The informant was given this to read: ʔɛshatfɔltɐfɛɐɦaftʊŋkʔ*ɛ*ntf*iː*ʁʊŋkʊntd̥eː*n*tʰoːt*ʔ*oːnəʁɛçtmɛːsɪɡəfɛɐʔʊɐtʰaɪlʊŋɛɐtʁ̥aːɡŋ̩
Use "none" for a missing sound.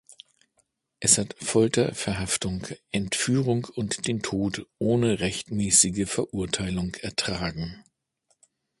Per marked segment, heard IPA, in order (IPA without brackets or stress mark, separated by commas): ɛ, yː, n, ʔ